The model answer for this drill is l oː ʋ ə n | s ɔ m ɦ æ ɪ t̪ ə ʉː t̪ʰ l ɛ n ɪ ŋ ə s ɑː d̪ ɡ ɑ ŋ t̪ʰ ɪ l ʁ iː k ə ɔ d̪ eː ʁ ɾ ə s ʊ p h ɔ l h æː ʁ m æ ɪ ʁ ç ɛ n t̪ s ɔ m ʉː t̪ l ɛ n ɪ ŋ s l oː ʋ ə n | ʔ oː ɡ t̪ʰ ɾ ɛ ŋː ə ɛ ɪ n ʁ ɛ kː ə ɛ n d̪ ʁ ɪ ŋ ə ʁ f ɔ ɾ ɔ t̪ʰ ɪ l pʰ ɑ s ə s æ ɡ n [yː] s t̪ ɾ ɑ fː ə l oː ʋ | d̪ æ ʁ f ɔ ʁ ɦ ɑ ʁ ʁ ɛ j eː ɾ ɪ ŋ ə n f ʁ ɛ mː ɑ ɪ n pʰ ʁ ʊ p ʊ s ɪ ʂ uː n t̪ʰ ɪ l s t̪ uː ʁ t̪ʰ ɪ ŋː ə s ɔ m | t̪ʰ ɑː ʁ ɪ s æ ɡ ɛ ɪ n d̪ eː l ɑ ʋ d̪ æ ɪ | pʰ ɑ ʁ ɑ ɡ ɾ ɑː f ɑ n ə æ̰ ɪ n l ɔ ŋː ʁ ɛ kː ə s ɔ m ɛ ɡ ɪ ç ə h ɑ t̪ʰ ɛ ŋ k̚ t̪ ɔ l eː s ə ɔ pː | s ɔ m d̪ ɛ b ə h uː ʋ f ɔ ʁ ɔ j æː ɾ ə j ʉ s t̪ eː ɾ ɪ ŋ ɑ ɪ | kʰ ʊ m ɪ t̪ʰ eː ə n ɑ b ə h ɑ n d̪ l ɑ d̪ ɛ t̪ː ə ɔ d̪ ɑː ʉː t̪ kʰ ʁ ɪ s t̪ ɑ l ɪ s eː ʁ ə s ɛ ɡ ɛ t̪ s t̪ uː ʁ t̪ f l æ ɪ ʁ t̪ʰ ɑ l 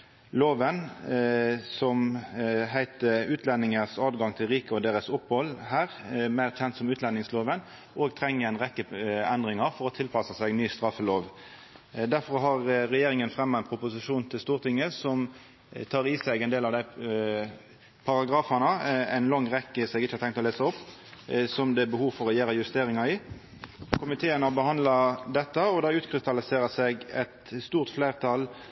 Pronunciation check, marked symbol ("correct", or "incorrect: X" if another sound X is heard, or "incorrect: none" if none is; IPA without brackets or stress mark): correct